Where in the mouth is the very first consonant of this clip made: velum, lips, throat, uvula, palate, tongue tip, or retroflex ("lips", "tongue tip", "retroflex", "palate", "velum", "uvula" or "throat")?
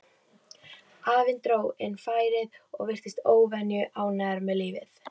lips